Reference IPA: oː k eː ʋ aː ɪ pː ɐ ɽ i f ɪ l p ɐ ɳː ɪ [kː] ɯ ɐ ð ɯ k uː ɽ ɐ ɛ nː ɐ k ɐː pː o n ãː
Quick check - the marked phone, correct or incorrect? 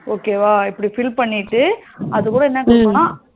incorrect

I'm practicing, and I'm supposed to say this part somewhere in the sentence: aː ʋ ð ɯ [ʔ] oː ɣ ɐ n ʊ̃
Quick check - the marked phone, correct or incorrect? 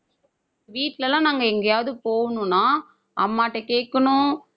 incorrect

